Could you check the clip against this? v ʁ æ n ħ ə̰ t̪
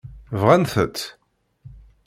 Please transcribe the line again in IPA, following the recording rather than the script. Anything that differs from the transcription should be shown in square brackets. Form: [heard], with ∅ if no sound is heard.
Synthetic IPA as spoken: v ʁ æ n [θ] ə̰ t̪